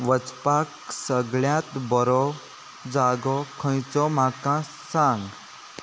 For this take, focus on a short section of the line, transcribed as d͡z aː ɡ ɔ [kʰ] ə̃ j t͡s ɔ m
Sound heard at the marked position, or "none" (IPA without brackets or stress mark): kʰ